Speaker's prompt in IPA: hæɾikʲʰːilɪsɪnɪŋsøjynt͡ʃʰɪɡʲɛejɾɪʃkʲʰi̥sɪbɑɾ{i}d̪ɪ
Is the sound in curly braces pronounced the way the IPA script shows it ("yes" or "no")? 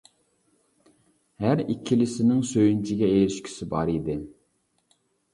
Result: yes